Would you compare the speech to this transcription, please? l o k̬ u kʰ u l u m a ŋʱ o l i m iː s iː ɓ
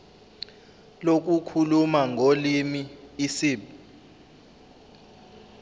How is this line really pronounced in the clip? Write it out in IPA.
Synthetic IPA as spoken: l o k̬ u kʰ u l u m a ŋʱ o l i m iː s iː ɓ